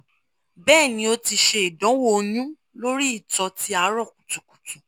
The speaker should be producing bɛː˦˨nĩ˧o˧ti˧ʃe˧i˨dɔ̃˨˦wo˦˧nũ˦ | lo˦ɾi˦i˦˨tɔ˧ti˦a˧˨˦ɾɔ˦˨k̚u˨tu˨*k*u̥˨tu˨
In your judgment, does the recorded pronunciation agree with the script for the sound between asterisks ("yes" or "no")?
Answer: yes